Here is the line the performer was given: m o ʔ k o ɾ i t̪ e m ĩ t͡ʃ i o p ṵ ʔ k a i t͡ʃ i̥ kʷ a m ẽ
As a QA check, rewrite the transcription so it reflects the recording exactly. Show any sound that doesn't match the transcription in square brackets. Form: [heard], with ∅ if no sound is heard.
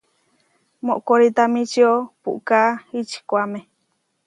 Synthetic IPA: m o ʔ k o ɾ i t̪ [a] m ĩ t͡ʃ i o p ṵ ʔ k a i t͡ʃ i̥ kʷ a m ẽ